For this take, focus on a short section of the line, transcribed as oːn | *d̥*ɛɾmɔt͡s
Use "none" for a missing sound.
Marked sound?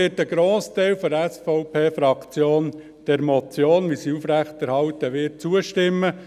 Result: d̥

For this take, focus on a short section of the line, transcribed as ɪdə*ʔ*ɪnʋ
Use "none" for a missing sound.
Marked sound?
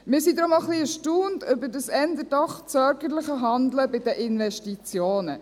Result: ʔ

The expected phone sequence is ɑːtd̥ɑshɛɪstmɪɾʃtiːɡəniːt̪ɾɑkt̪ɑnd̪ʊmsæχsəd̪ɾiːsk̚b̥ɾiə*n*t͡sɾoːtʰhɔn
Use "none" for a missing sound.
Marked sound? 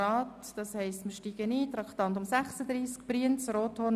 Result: n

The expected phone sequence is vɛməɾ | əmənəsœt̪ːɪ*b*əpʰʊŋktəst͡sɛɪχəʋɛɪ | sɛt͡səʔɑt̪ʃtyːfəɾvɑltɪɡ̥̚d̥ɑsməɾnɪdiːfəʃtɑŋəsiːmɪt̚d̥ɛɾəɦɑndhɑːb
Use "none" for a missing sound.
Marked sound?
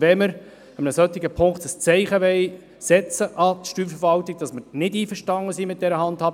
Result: ɡ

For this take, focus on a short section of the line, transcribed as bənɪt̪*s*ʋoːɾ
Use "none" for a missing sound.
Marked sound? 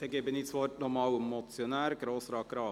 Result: s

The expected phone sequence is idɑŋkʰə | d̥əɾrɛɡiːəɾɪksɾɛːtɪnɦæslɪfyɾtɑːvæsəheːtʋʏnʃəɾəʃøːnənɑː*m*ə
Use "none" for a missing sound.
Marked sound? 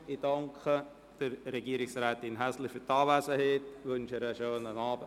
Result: b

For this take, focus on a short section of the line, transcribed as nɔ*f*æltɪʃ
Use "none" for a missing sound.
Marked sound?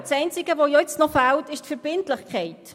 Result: f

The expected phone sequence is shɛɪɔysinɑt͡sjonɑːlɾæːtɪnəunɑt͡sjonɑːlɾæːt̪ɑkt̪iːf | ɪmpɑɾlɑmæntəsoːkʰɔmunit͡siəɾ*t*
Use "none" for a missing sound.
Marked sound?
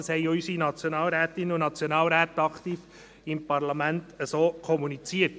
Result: t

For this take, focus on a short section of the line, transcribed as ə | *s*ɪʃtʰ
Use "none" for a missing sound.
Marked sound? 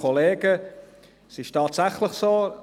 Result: s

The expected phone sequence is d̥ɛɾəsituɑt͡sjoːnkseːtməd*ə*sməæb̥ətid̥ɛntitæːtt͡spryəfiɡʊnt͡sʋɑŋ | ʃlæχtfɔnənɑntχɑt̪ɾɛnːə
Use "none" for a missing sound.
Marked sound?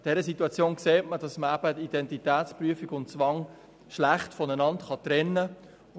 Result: ɑ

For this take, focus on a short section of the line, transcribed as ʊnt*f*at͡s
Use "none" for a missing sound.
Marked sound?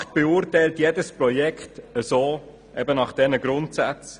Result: s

